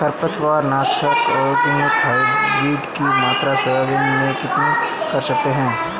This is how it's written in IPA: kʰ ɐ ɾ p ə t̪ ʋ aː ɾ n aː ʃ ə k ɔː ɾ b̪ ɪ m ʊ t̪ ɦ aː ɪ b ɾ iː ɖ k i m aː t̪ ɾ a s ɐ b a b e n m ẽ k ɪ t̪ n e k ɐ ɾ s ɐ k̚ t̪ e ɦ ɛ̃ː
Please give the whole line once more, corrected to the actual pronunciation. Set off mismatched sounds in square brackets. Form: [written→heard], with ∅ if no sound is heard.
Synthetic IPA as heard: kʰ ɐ ɾ p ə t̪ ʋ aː ɾ n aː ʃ ə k ɔː ɾ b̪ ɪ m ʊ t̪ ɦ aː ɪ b ɾ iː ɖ k i m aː t̪ ɾ a s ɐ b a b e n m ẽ k ɪ t̪ n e k ɐ ɾ s ɐ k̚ t̪ e ɦ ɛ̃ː